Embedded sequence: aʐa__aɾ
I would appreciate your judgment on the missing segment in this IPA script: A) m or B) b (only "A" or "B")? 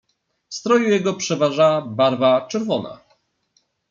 B